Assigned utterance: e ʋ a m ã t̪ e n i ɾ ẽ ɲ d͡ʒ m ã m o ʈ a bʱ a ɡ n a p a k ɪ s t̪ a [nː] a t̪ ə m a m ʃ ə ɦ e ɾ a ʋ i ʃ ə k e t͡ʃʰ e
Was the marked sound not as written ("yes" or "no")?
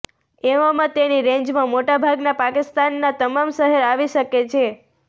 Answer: no